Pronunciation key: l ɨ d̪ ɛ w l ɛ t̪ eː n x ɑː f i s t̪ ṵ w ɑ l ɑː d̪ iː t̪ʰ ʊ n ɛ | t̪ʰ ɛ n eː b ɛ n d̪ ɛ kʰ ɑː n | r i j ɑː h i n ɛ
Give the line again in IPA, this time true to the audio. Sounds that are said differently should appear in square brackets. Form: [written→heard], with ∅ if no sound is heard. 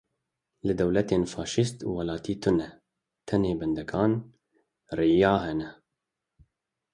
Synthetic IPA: l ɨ d̪ ɛ w l ɛ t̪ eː n [x→f] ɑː [f→ʃ] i s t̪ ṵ w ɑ l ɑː [d̪→t̪] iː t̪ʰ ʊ n ɛ | t̪ʰ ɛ n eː b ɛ n d̪ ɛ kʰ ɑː n | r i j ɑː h [i→ɛ] n ɛ